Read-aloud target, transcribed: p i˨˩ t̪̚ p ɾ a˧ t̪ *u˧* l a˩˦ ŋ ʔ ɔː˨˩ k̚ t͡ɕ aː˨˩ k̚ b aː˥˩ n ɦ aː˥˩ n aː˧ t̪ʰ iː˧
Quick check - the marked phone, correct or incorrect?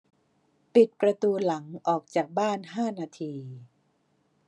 incorrect